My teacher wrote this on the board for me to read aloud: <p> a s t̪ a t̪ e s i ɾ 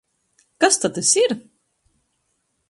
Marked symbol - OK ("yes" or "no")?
no